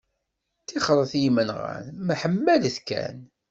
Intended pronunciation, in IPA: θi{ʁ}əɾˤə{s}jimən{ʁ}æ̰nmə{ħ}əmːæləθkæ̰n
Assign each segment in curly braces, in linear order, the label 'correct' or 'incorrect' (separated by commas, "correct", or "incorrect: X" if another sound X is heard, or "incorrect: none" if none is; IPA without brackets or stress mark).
incorrect: χ, incorrect: θ, correct, correct